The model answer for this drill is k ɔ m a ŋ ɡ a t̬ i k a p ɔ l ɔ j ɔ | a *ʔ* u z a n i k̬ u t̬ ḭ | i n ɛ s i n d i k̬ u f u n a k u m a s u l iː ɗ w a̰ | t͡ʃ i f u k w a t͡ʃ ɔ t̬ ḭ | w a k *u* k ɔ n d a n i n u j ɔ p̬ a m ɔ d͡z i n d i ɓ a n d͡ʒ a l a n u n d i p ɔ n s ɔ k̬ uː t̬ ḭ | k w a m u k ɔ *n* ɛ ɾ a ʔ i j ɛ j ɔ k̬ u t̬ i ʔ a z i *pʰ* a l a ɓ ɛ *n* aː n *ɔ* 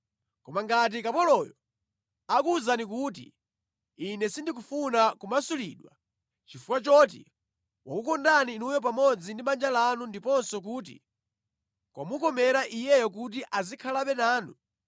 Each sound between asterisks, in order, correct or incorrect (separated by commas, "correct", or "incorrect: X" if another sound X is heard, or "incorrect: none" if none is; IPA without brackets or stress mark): incorrect: k, correct, incorrect: m, incorrect: kʰ, correct, incorrect: u